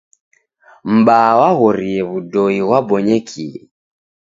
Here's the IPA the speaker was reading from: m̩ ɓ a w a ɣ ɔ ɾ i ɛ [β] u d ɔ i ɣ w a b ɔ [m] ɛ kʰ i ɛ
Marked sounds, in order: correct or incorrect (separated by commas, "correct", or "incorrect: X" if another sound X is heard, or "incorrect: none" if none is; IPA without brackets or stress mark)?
correct, incorrect: ɲ